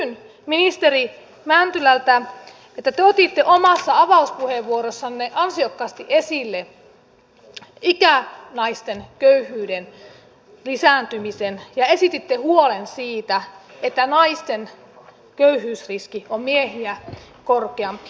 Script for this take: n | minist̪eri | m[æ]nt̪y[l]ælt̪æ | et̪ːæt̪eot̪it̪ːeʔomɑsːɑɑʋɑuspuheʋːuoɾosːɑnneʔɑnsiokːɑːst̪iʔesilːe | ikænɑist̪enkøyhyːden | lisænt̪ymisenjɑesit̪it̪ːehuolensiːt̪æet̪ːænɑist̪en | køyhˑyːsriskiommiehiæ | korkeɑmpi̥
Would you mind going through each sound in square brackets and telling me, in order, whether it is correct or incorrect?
correct, correct

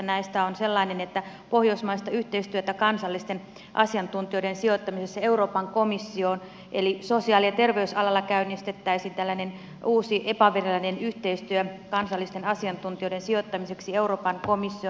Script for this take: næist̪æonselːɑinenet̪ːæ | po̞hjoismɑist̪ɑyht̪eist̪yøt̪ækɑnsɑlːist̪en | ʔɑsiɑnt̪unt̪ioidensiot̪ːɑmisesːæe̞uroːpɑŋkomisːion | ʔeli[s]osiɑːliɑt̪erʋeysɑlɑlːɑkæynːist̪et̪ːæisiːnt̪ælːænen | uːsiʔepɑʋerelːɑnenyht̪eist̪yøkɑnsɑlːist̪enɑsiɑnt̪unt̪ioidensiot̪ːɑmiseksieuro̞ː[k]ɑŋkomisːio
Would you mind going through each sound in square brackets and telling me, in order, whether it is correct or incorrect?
correct, incorrect

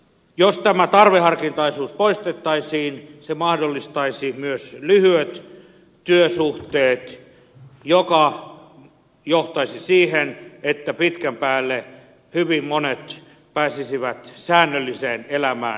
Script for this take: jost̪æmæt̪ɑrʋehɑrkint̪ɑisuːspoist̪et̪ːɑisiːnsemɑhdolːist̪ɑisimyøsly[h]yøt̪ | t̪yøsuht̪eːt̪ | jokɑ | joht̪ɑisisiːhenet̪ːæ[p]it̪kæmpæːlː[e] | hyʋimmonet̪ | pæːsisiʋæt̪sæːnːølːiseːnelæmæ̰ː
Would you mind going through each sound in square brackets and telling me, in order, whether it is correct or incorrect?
correct, correct, correct

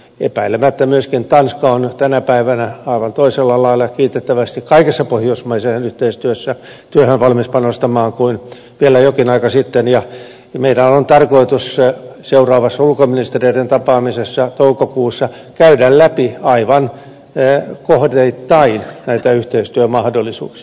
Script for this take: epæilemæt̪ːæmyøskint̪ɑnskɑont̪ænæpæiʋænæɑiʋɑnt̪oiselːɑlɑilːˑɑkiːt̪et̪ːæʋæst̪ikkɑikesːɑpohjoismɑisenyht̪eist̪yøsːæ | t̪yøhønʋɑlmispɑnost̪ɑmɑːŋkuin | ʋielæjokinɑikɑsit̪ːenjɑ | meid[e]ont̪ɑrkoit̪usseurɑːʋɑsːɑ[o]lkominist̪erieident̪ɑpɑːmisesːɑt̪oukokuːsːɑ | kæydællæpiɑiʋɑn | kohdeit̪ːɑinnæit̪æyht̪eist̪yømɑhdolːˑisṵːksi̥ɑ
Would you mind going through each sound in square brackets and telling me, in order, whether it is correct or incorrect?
incorrect, incorrect

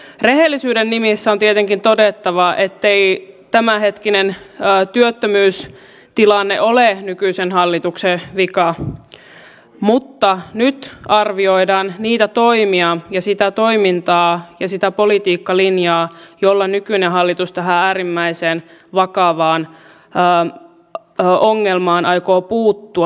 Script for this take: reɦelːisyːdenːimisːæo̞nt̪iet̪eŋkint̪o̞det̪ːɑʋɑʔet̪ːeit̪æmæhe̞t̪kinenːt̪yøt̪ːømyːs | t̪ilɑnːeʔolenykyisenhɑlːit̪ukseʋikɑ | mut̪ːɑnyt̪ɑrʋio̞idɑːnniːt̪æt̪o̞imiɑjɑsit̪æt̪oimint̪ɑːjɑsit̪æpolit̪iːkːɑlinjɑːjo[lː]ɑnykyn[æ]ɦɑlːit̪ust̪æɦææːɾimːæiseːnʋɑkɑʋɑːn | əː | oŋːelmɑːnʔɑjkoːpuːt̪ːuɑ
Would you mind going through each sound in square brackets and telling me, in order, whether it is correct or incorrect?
correct, incorrect

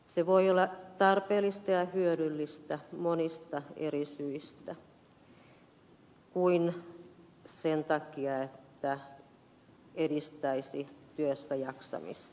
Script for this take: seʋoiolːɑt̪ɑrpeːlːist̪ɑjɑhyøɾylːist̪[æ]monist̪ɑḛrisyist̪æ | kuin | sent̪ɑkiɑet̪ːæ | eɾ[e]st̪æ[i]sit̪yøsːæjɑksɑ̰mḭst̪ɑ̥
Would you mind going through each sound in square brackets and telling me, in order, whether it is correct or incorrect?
correct, incorrect, correct

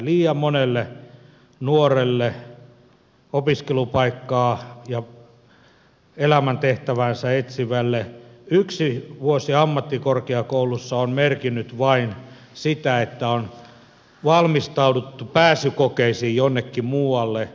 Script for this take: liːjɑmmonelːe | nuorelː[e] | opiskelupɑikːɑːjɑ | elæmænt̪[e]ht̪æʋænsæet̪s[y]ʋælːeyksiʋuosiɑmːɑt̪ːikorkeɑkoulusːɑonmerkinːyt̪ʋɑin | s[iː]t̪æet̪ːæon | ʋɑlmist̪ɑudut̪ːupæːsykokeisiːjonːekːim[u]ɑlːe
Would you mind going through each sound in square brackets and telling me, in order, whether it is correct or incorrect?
correct, correct, incorrect, incorrect, incorrect

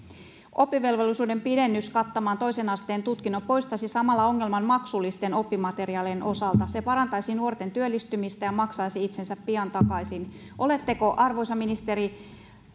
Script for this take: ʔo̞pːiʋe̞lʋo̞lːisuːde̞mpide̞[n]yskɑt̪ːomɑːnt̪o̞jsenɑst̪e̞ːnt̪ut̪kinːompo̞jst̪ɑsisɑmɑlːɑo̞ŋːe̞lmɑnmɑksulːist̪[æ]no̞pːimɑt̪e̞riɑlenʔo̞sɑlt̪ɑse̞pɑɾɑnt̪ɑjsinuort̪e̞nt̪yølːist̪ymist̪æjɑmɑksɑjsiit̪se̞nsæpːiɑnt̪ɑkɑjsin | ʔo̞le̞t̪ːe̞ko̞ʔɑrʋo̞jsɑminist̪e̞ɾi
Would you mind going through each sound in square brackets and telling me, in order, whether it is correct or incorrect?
incorrect, incorrect

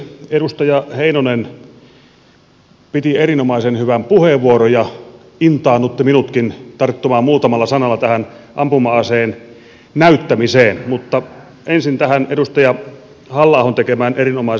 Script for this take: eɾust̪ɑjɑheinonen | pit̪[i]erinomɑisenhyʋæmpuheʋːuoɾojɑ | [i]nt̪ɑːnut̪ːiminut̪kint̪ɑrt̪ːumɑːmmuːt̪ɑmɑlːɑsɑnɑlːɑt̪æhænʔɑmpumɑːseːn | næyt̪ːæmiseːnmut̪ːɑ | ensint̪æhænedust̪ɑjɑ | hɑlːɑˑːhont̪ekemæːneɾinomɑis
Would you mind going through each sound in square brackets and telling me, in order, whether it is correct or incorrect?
correct, correct

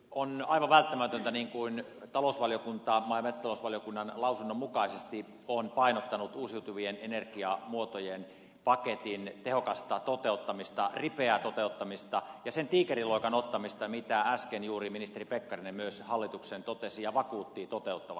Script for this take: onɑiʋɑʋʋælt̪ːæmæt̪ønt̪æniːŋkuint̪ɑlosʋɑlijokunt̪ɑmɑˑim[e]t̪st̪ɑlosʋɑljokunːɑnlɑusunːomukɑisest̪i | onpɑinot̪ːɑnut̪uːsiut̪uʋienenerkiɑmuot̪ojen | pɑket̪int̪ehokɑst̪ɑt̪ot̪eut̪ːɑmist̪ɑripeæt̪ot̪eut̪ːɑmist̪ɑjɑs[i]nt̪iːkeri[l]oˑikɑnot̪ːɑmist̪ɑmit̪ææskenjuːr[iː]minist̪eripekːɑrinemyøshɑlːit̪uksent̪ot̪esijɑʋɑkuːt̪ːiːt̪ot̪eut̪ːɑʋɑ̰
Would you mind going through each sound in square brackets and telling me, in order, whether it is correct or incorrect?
correct, incorrect, correct, incorrect

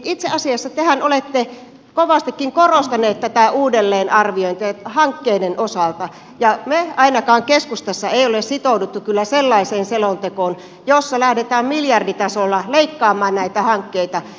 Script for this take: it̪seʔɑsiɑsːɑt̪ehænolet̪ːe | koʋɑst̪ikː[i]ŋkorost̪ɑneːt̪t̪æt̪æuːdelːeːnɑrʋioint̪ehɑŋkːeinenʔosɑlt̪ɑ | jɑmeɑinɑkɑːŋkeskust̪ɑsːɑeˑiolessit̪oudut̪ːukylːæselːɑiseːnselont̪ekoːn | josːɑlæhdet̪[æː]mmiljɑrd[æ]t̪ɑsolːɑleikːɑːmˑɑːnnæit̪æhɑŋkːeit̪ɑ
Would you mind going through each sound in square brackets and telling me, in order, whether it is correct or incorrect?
correct, correct, incorrect

